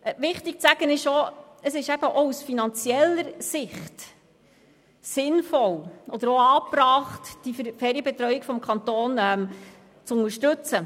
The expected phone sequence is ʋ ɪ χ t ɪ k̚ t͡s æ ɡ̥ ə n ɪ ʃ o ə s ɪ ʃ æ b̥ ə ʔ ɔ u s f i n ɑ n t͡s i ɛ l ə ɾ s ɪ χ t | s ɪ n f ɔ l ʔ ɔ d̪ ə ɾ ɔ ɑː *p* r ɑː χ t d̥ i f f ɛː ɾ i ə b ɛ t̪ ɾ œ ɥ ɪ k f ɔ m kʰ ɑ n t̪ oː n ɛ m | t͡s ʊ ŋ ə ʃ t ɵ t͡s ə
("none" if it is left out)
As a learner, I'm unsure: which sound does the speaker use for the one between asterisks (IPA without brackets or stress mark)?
p